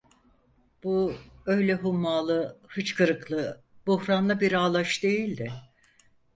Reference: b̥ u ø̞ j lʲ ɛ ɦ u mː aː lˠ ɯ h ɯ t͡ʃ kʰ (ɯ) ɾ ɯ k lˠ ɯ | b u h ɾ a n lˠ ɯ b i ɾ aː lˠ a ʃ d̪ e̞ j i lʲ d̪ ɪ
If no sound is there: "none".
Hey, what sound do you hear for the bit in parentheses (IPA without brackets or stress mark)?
ɯ